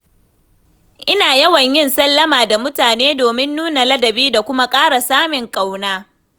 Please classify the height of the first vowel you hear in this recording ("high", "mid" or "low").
high